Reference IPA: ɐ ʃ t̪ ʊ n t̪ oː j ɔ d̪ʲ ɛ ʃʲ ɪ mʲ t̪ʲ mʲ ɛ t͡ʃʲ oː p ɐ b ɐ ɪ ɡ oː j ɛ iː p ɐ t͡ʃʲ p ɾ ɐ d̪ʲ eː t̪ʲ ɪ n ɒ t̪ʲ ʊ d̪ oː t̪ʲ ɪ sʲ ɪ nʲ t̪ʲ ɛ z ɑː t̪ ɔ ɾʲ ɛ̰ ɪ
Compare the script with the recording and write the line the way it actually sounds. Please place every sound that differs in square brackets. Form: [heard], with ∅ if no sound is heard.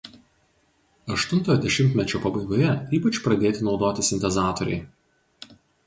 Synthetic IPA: ɐ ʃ t̪ ʊ n t̪ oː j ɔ d̪ʲ ɛ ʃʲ ɪ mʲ t̪ʲ mʲ ɛ t͡ʃʲ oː p ɐ b ɐ ɪ ɡ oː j ɛ iː p ɐ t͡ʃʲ p ɾ ɐ d̪ʲ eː t̪ʲ ɪ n ɒ [∅] ʊ d̪ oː t̪ʲ ɪ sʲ ɪ nʲ t̪ʲ ɛ z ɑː t̪ ɔ ɾʲ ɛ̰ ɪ